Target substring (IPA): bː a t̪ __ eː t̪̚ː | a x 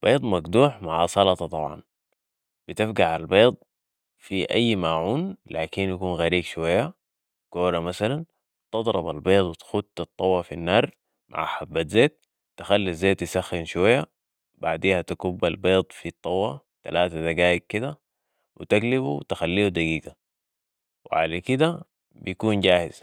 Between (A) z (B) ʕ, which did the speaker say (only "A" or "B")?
A